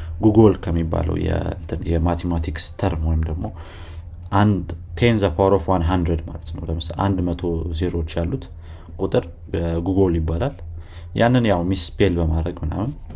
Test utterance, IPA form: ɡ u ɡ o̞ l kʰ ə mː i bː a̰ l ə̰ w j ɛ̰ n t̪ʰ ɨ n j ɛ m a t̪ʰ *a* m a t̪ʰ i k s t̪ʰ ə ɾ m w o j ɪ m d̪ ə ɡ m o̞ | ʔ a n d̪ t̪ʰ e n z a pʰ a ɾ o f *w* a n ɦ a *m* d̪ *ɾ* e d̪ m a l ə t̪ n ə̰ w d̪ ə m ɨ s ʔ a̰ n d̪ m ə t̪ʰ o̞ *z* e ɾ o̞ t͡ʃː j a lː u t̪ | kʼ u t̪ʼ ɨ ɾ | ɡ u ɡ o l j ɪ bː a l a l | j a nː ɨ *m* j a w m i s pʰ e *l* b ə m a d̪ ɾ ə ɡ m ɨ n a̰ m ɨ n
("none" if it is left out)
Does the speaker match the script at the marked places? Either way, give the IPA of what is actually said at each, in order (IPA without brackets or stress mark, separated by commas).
e, w, n, ɾ, z, n, l